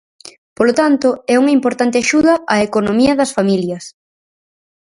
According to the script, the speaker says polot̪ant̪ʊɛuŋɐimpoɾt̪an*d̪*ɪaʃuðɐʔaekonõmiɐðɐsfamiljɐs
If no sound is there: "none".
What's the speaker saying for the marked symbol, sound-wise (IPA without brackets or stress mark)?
t̪